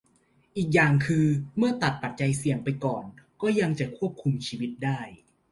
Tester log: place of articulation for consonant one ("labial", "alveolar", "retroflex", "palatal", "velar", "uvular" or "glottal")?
glottal